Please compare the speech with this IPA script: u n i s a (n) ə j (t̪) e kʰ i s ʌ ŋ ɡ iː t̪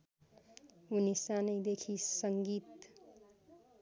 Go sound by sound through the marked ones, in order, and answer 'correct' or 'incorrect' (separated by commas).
correct, incorrect